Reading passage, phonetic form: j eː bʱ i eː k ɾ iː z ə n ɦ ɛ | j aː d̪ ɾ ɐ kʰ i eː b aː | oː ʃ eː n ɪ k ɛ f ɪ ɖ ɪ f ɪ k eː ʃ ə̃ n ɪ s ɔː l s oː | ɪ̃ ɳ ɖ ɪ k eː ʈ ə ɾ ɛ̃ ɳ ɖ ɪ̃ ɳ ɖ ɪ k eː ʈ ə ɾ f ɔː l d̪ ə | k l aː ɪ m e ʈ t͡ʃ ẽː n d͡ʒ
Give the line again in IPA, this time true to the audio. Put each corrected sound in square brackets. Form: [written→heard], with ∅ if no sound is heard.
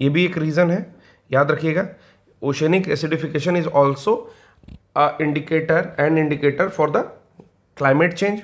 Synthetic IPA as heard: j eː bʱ i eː k ɾ iː z ə n ɦ ɛ | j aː d̪ ɾ ɐ kʰ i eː [b→ɡ] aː | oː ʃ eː n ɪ k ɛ [f→s] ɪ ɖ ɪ f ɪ k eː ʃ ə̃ n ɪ [s→z] ɔː l s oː | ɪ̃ ɳ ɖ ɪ k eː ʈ ə ɾ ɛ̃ ɳ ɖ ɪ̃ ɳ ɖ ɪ k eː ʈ ə ɾ f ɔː [l→ɾ] d̪ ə | k l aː ɪ m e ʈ t͡ʃ ẽː n d͡ʒ